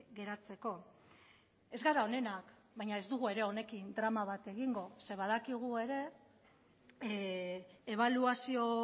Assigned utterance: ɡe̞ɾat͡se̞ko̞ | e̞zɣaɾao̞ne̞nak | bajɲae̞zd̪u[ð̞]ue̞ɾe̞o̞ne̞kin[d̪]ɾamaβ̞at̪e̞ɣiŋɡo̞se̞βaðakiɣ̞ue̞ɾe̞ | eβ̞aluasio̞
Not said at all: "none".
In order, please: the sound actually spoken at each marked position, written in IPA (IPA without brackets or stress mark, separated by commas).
ɣ̞, d̪